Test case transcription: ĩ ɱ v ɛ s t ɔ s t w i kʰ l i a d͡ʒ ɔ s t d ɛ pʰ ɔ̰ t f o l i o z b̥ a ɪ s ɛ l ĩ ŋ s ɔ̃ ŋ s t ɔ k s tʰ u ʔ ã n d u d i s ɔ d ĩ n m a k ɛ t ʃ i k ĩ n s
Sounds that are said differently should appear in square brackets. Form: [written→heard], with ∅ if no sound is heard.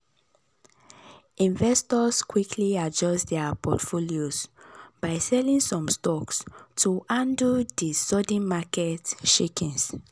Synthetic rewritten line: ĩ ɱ v ɛ s t ɔ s [t→k] w i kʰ l i a d͡ʒ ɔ s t d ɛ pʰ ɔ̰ t f o l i o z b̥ a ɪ s ɛ l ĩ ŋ s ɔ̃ [ŋ→m] s t ɔ k s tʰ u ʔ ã n d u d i s ɔ d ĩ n m a k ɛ t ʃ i k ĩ n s